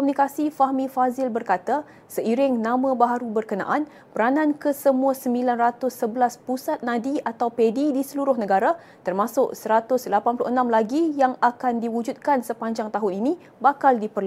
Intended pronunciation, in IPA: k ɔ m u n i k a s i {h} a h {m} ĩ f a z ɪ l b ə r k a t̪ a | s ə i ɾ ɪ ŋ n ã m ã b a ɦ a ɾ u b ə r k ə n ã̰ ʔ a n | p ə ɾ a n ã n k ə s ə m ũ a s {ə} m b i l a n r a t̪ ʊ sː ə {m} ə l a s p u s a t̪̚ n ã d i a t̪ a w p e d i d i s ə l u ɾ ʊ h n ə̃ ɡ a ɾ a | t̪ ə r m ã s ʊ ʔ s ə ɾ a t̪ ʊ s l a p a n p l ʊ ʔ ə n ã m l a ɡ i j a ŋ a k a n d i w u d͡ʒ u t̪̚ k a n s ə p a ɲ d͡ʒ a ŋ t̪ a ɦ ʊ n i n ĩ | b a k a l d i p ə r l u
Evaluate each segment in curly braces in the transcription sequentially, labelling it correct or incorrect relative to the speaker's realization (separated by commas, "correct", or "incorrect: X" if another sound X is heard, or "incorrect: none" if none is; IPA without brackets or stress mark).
incorrect: f, correct, correct, incorrect: b